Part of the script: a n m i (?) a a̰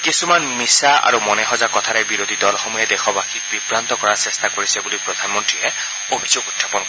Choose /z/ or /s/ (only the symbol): s